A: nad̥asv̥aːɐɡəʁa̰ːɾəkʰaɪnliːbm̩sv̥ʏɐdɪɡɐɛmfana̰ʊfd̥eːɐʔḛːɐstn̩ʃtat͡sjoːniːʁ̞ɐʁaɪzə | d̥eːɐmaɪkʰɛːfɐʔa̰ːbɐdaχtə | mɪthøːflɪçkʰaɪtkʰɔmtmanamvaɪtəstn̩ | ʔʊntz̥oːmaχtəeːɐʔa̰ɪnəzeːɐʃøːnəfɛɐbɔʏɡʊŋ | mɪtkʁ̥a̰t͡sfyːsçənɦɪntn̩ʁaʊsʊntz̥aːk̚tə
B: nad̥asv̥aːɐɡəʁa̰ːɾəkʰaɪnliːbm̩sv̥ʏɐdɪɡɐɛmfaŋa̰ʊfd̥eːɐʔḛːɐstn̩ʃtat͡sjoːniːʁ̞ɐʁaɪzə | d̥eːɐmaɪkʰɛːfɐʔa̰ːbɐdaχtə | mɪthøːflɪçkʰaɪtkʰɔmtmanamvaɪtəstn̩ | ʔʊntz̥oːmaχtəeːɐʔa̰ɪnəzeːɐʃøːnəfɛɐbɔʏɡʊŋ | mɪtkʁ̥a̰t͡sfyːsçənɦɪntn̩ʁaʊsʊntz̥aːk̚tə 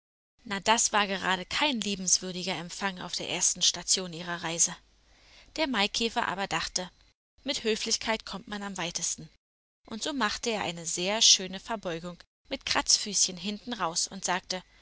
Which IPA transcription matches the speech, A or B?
B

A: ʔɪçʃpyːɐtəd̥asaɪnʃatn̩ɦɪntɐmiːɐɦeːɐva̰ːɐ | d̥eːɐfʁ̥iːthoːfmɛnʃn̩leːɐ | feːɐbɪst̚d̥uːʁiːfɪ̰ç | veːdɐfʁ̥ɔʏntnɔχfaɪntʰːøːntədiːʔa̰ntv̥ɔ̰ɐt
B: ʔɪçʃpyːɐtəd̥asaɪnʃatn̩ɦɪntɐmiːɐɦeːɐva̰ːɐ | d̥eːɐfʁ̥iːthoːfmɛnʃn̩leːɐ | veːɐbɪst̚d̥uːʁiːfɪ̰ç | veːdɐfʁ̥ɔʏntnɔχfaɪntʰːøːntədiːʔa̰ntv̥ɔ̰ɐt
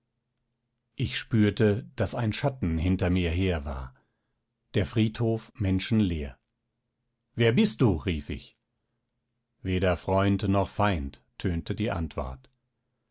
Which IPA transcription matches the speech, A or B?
B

